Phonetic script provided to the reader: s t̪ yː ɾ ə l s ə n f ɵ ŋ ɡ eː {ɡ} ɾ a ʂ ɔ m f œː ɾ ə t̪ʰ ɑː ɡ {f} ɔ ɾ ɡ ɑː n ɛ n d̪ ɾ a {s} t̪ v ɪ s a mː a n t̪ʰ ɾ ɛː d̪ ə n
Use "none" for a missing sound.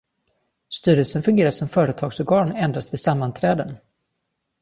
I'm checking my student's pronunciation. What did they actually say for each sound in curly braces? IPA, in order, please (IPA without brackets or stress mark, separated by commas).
none, s, s